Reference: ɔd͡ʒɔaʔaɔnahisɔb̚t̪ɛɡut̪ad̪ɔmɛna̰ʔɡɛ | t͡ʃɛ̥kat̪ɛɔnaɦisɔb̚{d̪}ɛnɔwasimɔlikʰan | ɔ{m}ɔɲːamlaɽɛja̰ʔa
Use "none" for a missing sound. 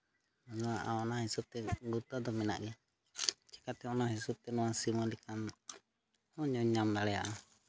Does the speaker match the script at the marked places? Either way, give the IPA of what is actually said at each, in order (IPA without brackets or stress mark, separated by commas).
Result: t̪, ɲ